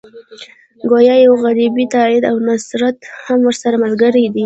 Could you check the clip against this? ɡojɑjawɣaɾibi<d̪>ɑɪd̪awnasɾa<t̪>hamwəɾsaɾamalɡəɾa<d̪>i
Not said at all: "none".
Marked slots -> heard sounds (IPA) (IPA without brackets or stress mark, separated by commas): t̪, t̪, d̪